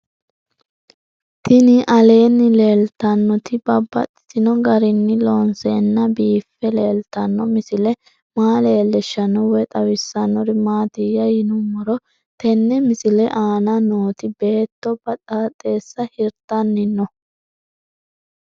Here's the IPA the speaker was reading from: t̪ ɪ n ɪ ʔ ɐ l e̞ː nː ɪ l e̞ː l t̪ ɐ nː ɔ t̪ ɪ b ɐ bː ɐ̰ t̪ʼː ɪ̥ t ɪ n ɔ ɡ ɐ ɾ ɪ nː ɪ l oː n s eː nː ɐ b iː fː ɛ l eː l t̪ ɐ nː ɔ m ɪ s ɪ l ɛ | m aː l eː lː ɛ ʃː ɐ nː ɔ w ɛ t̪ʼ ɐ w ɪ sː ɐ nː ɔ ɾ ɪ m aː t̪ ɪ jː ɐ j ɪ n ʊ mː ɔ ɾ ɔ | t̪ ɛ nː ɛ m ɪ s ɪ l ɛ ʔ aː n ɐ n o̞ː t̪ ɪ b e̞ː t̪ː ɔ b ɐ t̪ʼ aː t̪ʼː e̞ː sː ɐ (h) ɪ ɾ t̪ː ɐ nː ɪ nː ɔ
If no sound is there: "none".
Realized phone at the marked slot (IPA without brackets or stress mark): h